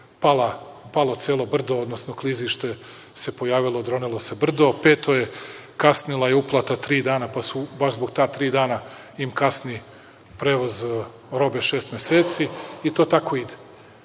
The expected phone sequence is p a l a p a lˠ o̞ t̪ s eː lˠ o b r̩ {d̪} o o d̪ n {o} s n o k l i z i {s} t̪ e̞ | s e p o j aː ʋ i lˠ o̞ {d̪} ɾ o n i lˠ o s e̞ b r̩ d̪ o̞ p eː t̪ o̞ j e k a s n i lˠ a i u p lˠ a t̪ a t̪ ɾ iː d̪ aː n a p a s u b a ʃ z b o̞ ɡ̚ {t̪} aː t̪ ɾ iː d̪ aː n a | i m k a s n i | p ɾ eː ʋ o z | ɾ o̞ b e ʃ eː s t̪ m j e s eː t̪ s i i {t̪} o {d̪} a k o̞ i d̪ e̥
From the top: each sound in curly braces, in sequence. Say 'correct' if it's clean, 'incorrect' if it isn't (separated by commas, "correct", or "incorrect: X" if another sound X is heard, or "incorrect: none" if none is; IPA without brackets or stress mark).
correct, correct, incorrect: ʃ, correct, correct, correct, incorrect: t̪